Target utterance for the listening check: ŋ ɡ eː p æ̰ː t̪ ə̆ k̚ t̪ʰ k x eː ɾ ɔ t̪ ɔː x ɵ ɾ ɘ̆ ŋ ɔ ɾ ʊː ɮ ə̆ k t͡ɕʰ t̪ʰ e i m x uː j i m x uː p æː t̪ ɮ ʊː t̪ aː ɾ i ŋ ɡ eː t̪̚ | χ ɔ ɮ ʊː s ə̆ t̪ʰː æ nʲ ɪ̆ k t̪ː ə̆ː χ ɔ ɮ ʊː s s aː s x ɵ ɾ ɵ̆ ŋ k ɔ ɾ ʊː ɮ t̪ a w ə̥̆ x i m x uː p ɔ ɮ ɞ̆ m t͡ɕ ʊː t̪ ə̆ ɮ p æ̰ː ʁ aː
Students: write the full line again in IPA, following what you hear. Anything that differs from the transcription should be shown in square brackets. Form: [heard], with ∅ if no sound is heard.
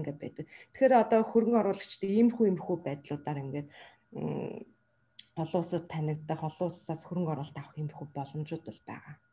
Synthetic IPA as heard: ŋ ɡ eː p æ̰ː t̪ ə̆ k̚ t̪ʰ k x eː ɾ ɔ t̪ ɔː x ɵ ɾ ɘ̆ ŋ ɔ ɾ ʊː ɮ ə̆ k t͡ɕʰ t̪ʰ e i m x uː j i m x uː p æː t̪ ɮ ʊː t̪ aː ɾ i ŋ ɡ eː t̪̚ | χ ɔ ɮ ʊː s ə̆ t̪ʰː æ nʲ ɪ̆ k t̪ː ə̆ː χ ɔ ɮ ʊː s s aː s x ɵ ɾ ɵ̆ ŋ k ɔ ɾ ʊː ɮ t̪ a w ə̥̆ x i m x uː p ɔ ɮ ɞ̆ m t͡ɕ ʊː t̪ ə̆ ɮ p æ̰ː ʁ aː